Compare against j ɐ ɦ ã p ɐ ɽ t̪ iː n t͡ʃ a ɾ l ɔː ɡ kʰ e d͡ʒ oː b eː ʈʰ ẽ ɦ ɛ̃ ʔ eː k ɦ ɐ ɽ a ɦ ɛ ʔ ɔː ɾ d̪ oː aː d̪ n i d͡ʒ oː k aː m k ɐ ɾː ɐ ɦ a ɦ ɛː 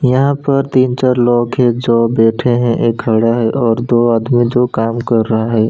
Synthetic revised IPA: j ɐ ɦ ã p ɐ ɾ t̪ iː n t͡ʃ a ɾ l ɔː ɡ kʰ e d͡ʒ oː b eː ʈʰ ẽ ɦ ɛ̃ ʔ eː k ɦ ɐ ɽ a ɦ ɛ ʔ ɔː ɾ d̪ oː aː d̪ m i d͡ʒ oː k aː m k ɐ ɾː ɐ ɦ a ɦ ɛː